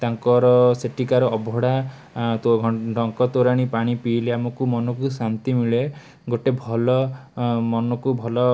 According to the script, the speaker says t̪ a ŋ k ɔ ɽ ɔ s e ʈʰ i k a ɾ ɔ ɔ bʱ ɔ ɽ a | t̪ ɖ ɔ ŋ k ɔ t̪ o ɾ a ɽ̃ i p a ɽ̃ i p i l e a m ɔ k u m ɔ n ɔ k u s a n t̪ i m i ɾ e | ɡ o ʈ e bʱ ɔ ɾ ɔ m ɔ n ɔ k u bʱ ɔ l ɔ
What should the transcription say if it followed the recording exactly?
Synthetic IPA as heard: t̪ a ŋ k ɔ ɾ ɔ s e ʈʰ i k a ɾ ɔ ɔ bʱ ɔ ɽ a | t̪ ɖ ɔ ŋ k ɔ t̪ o ɾ a ɽ̃ i p a ɽ̃ i p i l e a m ɔ k u m ɔ n ɔ k u s a n t̪ i m i ɭ e | ɡ o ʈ e bʱ ɔ l ɔ m ɔ n ɔ k u bʱ ɔ l ɔ